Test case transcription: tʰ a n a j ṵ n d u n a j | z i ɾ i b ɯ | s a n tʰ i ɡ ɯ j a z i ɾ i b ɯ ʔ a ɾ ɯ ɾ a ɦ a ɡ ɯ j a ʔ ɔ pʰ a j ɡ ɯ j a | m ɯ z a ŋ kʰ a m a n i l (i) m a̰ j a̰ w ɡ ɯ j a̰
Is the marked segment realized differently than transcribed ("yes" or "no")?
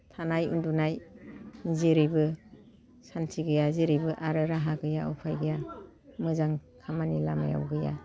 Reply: yes